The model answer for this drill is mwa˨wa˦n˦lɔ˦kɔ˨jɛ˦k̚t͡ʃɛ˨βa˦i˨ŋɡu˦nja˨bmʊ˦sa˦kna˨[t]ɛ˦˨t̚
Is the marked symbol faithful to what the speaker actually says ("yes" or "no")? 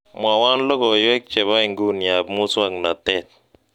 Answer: yes